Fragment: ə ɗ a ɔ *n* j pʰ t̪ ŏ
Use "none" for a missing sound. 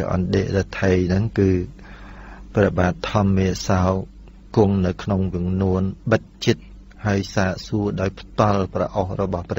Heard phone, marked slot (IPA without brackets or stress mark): none